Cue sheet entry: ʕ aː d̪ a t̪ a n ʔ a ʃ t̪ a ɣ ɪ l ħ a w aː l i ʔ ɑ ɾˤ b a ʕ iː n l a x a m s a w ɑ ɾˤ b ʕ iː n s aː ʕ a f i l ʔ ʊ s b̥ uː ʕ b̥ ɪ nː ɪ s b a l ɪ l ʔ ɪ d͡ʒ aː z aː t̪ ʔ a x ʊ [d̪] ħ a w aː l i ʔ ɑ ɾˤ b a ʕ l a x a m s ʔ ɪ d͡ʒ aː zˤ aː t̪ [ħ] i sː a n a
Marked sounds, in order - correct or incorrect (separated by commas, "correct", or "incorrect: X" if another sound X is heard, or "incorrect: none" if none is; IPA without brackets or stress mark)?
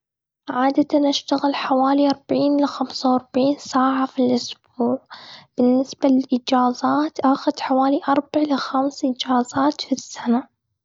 correct, incorrect: f